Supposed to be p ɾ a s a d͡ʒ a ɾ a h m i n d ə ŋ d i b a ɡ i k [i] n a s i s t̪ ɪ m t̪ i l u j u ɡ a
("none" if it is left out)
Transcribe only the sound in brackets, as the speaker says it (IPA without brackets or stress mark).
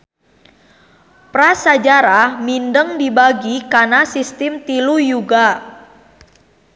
a